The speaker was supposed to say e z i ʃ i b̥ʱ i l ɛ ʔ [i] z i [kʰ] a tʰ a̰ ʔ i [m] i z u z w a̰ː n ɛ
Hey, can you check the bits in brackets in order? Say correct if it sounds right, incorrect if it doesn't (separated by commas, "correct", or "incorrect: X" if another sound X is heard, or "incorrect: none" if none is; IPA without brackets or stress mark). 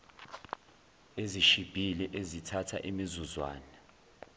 incorrect: e, incorrect: tʰ, correct